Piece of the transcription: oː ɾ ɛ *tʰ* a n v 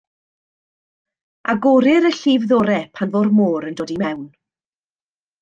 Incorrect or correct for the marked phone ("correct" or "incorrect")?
incorrect